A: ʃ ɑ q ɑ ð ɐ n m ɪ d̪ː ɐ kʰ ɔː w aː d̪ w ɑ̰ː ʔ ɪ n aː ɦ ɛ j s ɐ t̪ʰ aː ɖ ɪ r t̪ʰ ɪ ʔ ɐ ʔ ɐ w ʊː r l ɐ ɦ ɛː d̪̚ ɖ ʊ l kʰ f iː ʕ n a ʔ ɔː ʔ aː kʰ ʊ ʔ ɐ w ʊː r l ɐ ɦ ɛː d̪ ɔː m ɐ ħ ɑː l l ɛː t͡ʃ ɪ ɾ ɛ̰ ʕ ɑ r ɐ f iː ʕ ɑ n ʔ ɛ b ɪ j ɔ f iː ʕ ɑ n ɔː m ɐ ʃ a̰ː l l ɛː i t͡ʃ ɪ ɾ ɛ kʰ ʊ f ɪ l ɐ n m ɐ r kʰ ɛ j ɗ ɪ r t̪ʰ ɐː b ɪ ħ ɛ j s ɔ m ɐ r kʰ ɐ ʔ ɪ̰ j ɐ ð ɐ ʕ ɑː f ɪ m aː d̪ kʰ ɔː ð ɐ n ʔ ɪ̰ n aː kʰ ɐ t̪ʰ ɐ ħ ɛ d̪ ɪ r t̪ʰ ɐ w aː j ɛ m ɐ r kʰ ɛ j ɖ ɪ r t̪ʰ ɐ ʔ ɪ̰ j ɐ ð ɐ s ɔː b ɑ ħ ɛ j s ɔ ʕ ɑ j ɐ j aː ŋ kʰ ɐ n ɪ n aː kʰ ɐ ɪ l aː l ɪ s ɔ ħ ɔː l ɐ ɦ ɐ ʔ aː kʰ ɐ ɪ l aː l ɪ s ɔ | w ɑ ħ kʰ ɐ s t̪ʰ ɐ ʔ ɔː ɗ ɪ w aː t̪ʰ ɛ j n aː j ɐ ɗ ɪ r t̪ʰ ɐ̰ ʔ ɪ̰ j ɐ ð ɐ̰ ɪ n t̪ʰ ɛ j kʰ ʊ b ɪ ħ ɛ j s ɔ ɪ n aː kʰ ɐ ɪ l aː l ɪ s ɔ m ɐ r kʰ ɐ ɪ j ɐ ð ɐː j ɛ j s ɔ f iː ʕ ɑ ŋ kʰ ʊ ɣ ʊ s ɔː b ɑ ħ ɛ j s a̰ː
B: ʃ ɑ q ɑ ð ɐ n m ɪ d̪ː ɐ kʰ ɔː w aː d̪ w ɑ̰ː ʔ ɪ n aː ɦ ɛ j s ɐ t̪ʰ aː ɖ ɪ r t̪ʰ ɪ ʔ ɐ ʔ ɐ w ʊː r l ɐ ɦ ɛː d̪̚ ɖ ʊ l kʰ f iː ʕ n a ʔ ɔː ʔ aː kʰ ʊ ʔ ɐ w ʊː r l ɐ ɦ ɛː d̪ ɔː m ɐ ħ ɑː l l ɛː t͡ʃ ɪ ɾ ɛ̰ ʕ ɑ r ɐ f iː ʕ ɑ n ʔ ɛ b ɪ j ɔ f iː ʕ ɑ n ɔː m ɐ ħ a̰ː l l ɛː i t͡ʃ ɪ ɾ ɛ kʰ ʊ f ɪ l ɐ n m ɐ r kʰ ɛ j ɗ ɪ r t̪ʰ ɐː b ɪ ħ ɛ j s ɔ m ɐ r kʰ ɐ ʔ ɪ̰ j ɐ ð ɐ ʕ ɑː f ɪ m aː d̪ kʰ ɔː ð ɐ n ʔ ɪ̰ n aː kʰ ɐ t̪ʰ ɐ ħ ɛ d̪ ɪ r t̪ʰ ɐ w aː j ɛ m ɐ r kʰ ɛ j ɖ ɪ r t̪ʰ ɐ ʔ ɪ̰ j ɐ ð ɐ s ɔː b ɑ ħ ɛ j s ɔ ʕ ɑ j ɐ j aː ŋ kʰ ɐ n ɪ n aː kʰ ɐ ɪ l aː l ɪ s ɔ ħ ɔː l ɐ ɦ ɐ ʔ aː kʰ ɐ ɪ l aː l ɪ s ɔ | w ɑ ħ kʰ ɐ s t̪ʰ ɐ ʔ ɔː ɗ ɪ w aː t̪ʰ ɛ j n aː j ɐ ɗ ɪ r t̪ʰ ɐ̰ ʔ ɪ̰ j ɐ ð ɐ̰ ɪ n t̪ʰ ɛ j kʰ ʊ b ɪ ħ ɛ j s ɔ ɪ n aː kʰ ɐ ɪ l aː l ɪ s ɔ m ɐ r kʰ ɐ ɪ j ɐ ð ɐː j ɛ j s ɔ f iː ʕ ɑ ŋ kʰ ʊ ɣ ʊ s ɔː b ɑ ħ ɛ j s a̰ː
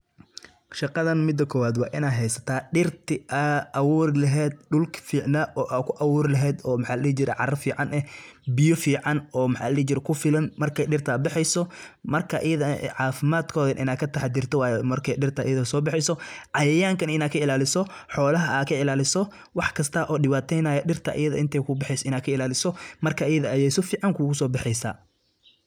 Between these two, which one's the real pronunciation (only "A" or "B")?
B